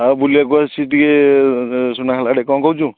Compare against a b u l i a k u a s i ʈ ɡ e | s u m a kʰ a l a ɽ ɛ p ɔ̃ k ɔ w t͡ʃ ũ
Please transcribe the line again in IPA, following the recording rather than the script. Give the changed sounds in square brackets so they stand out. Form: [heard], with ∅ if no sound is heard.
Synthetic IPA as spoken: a b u l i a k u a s i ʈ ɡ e | s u [n] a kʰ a l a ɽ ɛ [k] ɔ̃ k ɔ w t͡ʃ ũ